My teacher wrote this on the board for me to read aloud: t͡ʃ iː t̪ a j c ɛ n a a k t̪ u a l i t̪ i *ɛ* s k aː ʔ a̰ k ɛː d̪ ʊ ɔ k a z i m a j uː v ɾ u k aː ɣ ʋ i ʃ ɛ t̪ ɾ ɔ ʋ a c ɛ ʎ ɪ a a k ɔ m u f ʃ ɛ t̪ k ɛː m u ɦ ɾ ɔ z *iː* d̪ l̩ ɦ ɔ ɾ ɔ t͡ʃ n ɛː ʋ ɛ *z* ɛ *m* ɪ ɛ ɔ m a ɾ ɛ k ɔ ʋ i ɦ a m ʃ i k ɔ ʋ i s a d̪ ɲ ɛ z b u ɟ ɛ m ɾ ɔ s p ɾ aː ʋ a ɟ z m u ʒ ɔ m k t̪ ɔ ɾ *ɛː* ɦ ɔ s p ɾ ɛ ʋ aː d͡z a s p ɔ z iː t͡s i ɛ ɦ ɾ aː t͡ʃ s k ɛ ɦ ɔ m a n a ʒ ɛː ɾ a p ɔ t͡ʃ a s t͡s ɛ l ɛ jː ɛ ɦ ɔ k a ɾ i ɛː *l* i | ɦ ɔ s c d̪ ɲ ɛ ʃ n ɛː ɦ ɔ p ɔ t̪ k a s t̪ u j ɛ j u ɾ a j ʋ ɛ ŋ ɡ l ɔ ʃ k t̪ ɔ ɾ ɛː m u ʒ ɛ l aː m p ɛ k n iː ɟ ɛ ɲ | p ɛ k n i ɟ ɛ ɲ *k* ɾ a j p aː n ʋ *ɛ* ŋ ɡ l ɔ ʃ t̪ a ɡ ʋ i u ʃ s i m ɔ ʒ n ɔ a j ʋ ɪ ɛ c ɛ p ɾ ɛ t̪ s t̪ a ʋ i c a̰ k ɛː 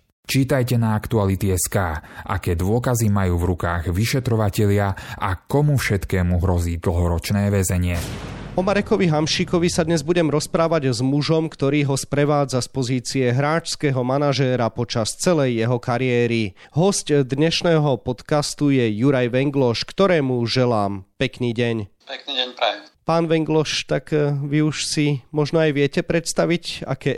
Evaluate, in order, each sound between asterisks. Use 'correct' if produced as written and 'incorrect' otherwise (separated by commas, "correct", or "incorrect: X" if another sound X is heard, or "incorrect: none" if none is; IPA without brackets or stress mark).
correct, correct, correct, incorrect: ɲ, incorrect: iː, incorrect: ɾ, incorrect: p, correct